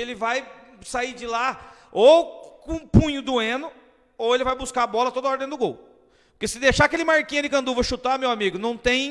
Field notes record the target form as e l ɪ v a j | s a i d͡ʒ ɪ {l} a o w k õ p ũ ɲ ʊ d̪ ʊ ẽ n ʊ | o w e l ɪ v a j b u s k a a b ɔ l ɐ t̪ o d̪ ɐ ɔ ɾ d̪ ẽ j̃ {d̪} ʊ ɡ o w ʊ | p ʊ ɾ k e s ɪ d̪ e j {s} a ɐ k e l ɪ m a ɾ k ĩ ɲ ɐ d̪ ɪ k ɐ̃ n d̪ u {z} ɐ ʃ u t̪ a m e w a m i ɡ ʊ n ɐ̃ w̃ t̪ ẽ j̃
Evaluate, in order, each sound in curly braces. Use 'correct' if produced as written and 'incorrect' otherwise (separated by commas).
correct, correct, incorrect, incorrect